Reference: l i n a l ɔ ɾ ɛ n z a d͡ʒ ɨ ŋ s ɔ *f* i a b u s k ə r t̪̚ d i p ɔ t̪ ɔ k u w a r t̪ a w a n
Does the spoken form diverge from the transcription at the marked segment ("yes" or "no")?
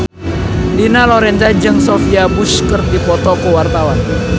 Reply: no